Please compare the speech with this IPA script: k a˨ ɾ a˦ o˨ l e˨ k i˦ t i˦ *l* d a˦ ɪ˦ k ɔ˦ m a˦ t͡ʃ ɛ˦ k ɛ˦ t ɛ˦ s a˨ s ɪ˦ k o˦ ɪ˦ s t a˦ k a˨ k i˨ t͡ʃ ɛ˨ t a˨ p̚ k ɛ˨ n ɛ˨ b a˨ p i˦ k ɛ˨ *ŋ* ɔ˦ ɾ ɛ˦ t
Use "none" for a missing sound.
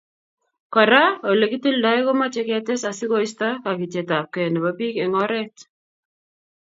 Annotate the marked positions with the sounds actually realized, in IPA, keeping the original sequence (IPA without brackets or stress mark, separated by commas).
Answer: l, ŋ